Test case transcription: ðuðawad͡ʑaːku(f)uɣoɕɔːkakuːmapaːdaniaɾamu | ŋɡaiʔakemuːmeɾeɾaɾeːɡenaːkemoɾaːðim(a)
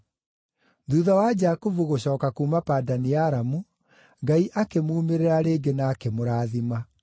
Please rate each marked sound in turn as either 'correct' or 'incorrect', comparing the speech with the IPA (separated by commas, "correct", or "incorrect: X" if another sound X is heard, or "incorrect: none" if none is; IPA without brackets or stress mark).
incorrect: v, correct